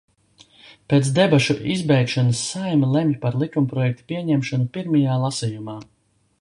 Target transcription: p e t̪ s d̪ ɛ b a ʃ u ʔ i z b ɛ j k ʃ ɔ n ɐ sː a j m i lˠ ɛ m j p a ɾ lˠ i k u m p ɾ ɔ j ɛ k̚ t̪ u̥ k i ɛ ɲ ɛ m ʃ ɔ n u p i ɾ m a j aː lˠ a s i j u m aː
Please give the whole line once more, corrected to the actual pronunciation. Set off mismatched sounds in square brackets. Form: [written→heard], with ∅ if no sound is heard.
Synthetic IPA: p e t̪ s d̪ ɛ b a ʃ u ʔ i z b ɛ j k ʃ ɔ n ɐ sː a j m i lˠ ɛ m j p a ɾ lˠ i k u m p ɾ ɔ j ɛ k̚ t̪ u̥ [k→p] i ɛ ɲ ɛ m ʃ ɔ n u p i ɾ m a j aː lˠ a s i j u m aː

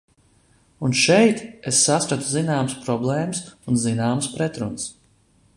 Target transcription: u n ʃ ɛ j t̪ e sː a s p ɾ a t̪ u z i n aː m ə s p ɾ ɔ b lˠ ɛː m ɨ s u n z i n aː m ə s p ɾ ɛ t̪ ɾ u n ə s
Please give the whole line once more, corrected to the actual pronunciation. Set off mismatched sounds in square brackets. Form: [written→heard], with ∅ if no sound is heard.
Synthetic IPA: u n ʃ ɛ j t̪ e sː a s p ɾ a t̪ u z i n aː m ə s p ɾ ɔ b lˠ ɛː m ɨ s u n z i n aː m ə s p ɾ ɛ t̪ ɾ u n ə s

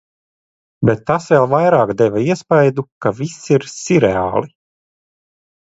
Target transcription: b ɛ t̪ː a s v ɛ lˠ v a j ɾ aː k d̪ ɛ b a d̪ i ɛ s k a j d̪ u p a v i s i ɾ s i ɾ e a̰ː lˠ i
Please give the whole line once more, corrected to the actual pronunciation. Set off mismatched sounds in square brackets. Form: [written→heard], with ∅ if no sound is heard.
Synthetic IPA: b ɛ t̪ː a s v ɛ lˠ v a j ɾ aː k d̪ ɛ [b→v] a [d̪→∅] i ɛ s [k→p] a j d̪ u [p→k] a v i s i ɾ s i ɾ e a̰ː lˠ i

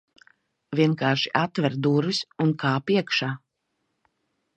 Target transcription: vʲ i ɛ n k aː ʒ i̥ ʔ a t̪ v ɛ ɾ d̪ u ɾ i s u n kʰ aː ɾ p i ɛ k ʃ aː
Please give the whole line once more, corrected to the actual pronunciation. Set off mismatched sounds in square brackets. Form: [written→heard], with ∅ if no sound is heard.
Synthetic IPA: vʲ i ɛ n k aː [ʒ→ʃ] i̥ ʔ a t̪ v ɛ ɾ d̪ u ɾ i s u n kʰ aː [ɾ→∅] p i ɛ k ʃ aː

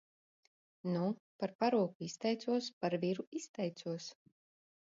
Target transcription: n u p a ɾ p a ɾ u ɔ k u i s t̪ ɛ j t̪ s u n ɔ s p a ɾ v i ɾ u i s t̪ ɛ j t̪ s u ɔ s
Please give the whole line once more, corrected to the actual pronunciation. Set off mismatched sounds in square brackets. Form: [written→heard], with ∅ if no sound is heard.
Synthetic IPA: n u p a ɾ p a ɾ u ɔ k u i s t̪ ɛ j t̪ s u [n→∅] ɔ s p a ɾ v i ɾ u i s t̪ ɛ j t̪ s u ɔ s

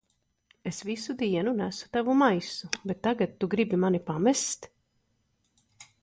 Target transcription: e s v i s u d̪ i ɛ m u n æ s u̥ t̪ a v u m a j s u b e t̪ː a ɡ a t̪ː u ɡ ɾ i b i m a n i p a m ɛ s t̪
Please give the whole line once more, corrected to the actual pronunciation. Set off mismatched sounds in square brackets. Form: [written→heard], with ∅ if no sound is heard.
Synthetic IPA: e s v i s u d̪ i ɛ [m→n] u n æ s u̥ t̪ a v u m a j s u b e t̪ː a ɡ a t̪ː u ɡ ɾ i b i m a n i p a m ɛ s t̪

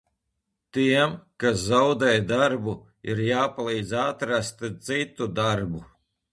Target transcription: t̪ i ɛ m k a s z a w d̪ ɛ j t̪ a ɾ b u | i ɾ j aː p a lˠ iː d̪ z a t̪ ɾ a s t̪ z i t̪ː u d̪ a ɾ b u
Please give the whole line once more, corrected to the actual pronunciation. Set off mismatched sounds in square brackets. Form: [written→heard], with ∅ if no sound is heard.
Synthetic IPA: t̪ i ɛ m k a s z a w d̪ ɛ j [t̪→d̪] a ɾ b u | i ɾ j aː p a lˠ iː d̪ z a t̪ ɾ a s t̪ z i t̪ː u d̪ a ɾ b u

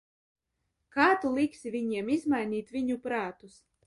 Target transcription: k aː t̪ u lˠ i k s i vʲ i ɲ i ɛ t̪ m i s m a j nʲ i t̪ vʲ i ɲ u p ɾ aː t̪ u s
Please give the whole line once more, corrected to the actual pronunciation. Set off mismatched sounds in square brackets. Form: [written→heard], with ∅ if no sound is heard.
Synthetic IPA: k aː t̪ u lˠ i k s i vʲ i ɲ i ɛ [t̪→∅] m i [s→z] m a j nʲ [i→iː] t̪ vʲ i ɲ u p ɾ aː t̪ u s

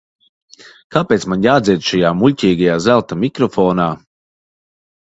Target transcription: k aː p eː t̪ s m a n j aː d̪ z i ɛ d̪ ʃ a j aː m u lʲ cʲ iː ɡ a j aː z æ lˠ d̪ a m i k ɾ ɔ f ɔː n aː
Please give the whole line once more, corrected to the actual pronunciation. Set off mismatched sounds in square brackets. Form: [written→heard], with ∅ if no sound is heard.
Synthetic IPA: k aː p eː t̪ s m a n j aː d̪ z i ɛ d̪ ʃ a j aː m u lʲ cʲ iː ɡ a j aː z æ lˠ [d̪→t̪] a m i k ɾ ɔ f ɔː n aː

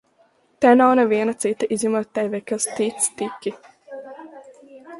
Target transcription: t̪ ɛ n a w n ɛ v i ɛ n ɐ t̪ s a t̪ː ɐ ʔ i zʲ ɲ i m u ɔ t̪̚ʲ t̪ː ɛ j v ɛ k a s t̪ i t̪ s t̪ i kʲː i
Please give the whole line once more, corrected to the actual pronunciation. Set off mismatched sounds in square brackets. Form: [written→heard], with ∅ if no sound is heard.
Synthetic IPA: t̪ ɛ n a w n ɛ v i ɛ n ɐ t̪ s [a→i] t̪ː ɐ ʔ i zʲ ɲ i m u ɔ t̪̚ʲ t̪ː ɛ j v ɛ k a s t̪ i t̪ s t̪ i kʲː i

